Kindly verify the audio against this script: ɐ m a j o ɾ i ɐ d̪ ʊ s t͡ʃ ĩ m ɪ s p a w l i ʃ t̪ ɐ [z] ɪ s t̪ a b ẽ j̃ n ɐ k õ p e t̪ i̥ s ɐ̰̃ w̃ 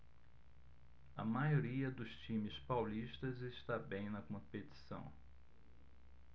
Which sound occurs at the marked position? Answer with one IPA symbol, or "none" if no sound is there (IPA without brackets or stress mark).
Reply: z